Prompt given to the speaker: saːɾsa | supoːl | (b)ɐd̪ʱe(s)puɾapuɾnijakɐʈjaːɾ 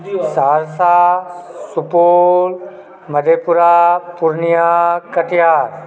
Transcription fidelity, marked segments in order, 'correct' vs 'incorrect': incorrect: m, incorrect: none

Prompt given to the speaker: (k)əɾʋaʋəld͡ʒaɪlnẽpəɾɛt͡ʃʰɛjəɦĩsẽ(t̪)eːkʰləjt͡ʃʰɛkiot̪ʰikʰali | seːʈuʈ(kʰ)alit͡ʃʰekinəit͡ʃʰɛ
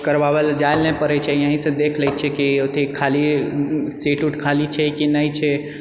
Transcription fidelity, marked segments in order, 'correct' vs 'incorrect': correct, incorrect: d̪, correct

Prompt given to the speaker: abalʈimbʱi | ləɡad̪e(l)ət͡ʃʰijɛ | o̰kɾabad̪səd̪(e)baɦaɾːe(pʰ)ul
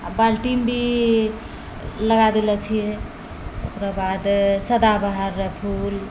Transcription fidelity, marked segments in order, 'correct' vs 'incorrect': correct, incorrect: a, correct

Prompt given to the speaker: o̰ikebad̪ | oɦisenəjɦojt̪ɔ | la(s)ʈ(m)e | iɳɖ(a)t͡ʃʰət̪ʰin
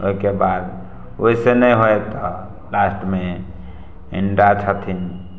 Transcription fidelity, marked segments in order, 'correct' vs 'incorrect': correct, correct, correct

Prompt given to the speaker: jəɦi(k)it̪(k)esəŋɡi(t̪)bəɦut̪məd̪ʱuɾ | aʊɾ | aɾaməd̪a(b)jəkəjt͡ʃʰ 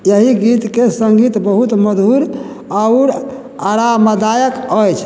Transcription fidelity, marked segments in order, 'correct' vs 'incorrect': incorrect: ɡ, correct, correct, incorrect: none

